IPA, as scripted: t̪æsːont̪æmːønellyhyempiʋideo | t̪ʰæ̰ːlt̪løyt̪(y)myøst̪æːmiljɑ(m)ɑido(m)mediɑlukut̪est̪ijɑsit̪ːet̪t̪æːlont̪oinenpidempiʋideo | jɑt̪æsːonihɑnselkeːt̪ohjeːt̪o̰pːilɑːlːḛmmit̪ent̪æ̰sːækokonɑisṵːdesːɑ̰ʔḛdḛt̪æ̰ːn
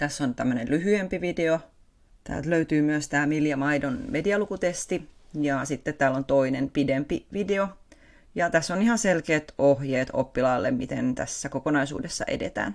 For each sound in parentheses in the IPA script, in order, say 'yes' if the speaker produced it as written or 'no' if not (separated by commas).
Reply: no, yes, no